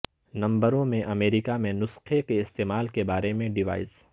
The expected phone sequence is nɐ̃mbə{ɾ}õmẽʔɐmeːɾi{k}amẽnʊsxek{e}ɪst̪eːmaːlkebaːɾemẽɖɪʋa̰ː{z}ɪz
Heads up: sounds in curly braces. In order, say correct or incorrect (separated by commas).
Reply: correct, correct, correct, incorrect